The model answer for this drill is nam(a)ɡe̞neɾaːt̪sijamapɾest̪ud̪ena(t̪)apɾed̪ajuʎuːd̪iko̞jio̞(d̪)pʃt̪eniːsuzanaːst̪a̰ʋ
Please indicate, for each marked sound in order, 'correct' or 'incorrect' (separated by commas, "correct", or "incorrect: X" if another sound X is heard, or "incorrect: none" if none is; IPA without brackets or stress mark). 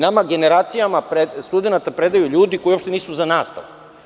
correct, correct, incorrect: none